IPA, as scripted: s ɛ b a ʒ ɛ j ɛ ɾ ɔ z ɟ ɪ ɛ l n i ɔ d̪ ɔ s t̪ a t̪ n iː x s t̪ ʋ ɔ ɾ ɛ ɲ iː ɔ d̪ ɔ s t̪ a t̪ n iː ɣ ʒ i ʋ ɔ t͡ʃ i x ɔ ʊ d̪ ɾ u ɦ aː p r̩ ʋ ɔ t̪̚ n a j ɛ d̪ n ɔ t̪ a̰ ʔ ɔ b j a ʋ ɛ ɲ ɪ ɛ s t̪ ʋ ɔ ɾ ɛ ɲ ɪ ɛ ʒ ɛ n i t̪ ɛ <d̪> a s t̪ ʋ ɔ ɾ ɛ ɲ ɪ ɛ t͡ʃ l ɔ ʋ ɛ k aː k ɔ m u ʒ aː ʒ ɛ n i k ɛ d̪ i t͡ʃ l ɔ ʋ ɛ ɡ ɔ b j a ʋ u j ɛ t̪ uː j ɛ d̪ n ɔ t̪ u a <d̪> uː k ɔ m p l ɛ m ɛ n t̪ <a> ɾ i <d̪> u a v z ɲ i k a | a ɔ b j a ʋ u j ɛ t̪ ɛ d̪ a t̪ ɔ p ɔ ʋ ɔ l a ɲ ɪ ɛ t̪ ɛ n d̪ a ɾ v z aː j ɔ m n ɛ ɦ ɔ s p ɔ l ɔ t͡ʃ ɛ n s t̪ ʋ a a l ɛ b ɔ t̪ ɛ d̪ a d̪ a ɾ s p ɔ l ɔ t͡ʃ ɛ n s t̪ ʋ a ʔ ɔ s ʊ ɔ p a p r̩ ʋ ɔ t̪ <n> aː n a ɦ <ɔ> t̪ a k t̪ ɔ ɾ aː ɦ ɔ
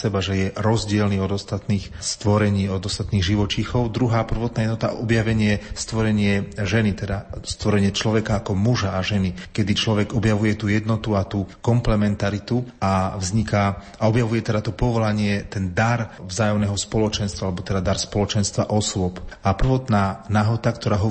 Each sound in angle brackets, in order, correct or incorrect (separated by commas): correct, incorrect, correct, incorrect, correct, correct